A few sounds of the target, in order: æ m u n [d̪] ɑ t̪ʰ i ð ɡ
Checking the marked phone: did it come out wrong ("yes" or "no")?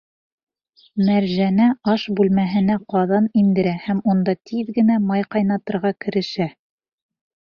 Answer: no